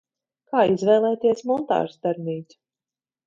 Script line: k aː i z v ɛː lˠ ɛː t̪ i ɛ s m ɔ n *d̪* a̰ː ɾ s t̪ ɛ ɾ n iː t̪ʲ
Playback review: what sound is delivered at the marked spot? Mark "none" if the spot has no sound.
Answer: t̪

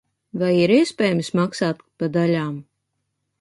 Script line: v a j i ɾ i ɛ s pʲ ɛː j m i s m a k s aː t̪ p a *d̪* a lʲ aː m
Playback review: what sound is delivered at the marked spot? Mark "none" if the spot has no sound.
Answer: d̪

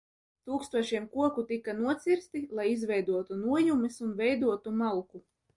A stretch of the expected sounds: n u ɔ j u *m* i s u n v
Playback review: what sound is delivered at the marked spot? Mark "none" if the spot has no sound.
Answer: m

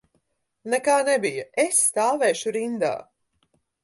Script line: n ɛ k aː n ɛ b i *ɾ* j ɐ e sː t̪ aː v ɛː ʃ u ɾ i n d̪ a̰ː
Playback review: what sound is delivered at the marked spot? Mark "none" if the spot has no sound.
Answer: none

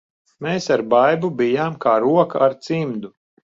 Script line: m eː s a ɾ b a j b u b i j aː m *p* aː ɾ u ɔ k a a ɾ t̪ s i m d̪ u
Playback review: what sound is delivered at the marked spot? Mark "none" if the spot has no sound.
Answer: k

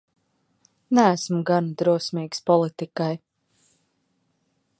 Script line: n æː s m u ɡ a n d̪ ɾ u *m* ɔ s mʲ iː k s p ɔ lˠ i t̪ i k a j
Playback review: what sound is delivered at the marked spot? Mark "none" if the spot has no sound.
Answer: none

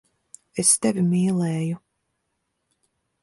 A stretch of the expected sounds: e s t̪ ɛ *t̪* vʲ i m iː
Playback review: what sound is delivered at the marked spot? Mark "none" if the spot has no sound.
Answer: none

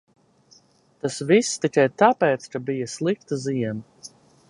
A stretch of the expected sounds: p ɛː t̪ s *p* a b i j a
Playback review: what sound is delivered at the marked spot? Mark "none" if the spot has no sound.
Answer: k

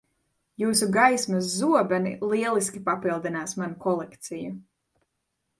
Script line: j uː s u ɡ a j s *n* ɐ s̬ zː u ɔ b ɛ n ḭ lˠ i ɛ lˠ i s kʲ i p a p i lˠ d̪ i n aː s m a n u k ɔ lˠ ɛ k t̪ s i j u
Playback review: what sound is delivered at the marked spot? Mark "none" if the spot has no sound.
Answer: m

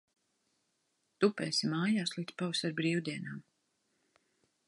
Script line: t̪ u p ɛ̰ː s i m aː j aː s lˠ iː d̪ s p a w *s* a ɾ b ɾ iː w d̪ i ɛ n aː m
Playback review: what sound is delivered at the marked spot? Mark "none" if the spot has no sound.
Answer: s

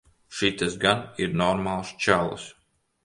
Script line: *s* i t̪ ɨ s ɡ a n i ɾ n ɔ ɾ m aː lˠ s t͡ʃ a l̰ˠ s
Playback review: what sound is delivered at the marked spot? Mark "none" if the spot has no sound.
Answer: ʃ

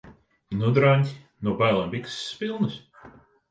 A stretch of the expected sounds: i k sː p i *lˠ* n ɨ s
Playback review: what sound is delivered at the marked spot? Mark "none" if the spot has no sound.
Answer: lˠ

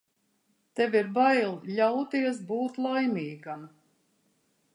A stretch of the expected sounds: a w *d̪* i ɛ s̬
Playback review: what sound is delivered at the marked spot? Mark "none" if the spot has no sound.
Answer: t̪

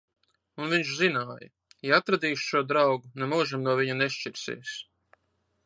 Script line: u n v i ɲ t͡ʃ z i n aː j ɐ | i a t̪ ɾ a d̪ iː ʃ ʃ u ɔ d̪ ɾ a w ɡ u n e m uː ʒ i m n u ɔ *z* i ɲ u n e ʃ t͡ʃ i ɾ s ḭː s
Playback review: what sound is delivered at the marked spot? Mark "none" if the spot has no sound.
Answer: v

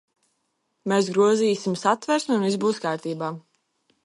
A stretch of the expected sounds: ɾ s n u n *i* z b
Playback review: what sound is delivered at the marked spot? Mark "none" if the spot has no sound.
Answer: i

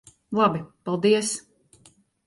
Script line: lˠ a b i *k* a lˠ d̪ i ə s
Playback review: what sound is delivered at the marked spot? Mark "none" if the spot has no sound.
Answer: p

